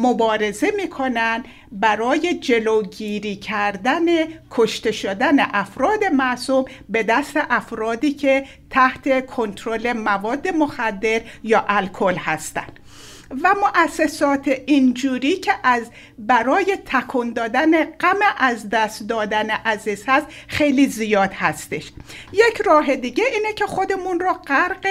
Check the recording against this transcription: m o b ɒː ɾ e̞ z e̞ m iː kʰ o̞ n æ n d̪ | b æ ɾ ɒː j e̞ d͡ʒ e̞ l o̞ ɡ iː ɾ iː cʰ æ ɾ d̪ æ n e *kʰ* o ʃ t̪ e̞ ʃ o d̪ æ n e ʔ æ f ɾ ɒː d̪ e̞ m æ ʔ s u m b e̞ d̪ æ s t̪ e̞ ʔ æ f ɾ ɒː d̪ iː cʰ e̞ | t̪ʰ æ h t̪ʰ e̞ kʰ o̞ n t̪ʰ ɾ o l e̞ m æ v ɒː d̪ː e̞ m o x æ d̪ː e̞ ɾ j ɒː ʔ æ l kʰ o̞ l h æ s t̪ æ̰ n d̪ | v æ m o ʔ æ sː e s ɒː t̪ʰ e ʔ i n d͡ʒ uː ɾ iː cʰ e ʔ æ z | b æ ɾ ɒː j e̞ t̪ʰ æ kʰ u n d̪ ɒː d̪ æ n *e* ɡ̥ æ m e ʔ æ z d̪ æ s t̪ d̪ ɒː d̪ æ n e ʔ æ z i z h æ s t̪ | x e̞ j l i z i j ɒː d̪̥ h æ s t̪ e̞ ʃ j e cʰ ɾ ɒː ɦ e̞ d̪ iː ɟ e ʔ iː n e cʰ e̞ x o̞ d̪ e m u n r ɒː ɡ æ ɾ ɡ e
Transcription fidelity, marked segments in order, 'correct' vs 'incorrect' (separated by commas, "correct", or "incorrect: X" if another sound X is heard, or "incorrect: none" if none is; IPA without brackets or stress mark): correct, correct